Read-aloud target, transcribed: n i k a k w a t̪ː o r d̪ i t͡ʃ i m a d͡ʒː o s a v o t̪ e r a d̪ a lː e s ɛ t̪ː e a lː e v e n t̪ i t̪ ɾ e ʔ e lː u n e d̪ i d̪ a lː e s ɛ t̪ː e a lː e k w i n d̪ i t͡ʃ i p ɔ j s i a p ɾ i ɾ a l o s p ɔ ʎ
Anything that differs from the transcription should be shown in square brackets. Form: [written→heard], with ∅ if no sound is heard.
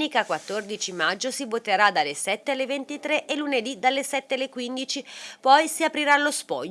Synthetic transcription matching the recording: n i k a k w a t̪ː o r d̪ i t͡ʃ i m a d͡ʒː o s [a→i] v o t̪ e [r→ɾ] a d̪ a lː e s ɛ t̪ː e a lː e v e n t̪ i t̪ ɾ e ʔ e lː u n e d̪ i d̪ a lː e s ɛ t̪ː e a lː e k w i n d̪ i t͡ʃ i p ɔ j s i a p ɾ i ɾ a l o s p ɔ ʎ